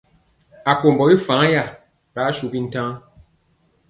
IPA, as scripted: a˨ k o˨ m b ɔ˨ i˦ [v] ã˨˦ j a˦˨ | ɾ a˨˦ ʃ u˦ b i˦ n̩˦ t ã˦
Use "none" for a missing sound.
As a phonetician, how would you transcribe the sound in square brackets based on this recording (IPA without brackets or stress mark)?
f